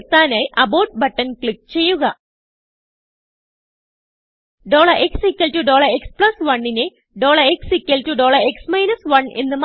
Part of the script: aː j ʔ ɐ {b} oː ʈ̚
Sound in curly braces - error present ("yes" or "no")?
no